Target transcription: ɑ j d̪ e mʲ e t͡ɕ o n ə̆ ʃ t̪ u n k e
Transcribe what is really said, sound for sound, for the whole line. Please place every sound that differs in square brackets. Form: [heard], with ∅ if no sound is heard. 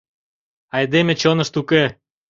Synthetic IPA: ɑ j d̪ e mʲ e t͡ɕ o n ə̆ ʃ t̪ u [∅] k e